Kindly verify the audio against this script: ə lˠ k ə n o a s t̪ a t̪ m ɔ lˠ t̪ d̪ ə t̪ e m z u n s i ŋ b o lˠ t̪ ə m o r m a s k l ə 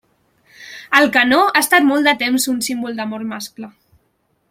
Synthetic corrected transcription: ə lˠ k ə n o a s t̪ a t̪ m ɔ lˠ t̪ d̪ ə t̪ e m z u n s i m b u lˠ d̪ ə m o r m a s k l ə

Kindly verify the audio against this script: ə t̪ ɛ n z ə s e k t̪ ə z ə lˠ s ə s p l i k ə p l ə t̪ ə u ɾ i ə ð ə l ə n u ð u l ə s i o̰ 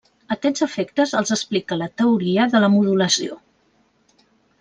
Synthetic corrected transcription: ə t̪ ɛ n z ə f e k t̪ ə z ə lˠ z ə s p l i k ə l ə t̪ ə u ɾ i ə ð ə l ə m u ð u l ə s i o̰

